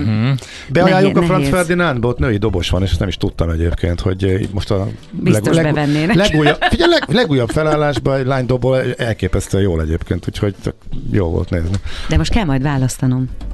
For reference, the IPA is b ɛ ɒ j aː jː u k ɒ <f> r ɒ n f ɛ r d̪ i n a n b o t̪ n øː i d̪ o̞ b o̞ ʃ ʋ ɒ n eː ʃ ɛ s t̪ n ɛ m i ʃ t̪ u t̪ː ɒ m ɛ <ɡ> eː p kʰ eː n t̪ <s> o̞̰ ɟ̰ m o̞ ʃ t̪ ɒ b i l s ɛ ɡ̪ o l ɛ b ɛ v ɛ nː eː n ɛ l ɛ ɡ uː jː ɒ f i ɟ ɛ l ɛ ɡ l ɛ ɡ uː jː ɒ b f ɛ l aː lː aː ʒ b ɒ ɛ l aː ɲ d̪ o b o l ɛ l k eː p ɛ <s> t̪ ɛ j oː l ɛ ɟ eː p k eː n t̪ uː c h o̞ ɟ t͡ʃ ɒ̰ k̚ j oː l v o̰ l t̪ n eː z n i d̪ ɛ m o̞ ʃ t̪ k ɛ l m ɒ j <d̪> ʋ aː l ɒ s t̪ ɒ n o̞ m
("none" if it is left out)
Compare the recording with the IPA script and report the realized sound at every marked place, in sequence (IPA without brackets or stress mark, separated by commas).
f, ɟ, h, s, d̪